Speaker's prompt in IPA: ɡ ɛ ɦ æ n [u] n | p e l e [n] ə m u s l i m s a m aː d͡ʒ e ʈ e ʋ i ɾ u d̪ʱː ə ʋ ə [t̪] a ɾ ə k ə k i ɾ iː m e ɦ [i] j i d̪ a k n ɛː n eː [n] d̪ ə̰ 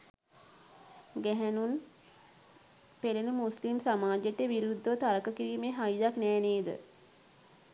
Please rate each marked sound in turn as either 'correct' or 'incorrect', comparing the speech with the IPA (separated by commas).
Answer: correct, correct, correct, incorrect, incorrect